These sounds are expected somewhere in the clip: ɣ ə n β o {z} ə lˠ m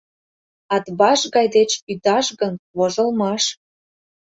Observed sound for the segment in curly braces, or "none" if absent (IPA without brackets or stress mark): ʒ